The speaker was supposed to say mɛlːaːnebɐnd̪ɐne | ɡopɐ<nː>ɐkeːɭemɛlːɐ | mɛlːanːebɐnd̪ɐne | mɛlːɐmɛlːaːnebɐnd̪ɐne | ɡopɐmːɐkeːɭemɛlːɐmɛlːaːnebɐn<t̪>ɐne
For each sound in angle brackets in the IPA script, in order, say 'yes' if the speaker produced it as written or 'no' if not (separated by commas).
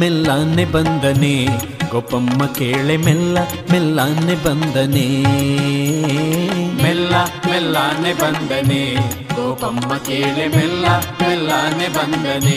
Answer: no, no